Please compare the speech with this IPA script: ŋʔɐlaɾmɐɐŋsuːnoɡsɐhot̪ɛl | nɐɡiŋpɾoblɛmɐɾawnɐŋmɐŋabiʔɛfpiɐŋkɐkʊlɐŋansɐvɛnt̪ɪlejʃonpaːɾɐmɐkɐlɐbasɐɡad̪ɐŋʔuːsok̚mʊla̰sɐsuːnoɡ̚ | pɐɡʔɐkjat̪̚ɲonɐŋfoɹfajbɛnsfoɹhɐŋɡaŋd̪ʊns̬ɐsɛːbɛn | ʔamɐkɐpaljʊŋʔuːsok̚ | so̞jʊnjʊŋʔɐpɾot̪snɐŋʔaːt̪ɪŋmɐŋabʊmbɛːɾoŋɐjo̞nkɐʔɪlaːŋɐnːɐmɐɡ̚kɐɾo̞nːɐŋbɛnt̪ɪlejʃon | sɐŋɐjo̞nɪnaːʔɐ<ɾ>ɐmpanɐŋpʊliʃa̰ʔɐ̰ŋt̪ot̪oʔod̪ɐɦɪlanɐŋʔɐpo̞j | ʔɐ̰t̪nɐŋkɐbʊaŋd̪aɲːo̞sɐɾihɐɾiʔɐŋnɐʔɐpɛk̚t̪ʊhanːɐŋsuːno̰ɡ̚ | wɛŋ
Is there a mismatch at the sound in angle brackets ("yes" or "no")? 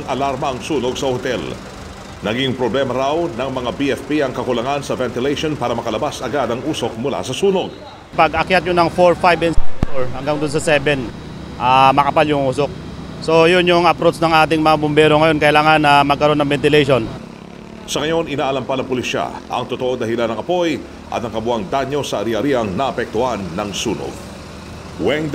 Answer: yes